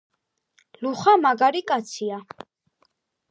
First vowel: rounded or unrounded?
rounded